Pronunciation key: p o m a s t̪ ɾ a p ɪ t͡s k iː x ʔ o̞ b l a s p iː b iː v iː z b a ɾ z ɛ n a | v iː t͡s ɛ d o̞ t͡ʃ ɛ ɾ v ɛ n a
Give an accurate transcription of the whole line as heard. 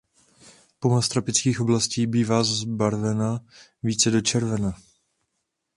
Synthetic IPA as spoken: p o m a s t̪ ɾ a p ɪ t͡s k iː x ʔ o̞ b l a s c iː b iː v aː z b a ɾ v ɛ n a | v iː t͡s ɛ d o̞ t͡ʃ ɛ ɾ v ɛ n a